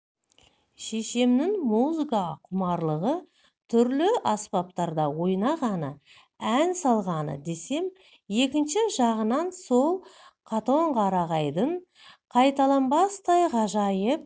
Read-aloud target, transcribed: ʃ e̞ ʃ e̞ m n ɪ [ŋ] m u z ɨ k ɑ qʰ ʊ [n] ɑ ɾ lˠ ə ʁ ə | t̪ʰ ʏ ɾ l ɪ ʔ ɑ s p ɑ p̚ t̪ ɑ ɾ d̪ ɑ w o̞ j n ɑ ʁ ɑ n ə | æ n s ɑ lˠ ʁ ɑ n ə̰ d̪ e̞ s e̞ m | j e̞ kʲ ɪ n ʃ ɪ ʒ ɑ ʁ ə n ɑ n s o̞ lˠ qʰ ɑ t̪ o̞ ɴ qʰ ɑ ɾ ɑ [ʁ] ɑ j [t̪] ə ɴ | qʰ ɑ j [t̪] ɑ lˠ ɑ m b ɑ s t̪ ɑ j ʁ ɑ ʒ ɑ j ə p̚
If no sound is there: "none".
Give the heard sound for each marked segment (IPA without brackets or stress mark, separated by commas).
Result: ŋ, m, ʁ, d̪, t̪